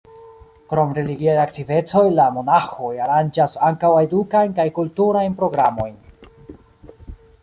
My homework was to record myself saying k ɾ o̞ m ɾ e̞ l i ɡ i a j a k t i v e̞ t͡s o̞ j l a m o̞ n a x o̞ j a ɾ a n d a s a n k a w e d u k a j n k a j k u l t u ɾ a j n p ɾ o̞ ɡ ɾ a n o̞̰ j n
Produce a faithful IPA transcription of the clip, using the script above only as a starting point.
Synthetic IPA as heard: k ɾ o̞ m ɾ e̞ l i ɡ i a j a k t i v e̞ t͡s o̞ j l a m o̞ n a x o̞ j a ɾ a n d͡ʒ a s a ŋ k a w e d u k a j n k a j k u l t u ɾ a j n p ɾ o̞ ɡ ɾ a m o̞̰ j n